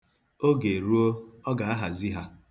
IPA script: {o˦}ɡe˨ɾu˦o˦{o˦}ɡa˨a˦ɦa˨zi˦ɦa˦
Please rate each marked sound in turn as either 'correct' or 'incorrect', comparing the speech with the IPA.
correct, incorrect

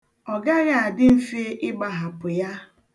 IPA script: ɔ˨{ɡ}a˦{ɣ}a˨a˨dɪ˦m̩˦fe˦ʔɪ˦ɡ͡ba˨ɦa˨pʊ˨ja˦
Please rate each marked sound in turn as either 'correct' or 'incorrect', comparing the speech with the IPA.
correct, correct

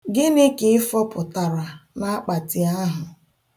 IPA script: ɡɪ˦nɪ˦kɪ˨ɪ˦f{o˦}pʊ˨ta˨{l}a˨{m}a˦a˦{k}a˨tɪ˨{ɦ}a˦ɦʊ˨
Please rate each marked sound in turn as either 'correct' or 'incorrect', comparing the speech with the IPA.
incorrect, incorrect, incorrect, incorrect, incorrect

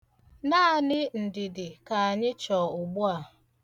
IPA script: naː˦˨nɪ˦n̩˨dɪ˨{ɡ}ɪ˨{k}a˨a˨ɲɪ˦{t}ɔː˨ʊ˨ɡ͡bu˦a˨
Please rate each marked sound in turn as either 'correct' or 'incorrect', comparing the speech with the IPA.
incorrect, correct, incorrect

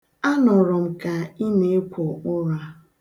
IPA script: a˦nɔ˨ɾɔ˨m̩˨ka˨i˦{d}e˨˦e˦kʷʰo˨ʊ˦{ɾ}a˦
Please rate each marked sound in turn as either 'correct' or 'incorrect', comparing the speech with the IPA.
incorrect, correct

